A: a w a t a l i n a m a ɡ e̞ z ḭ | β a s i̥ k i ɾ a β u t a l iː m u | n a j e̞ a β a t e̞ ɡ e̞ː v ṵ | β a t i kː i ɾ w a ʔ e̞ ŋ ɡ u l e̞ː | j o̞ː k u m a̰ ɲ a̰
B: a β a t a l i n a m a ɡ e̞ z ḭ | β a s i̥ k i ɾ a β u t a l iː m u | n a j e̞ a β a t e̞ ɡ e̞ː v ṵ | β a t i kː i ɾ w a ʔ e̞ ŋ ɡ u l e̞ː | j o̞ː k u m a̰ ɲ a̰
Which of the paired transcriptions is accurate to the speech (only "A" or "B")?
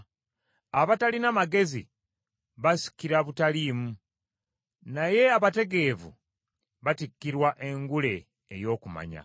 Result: B